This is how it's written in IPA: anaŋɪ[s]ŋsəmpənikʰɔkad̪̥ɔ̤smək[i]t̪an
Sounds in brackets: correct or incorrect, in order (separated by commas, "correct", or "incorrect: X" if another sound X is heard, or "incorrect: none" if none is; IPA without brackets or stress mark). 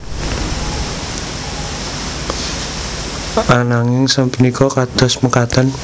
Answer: incorrect: none, incorrect: a